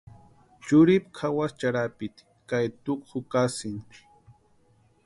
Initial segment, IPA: t͡ʃ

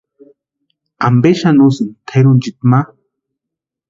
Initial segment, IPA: a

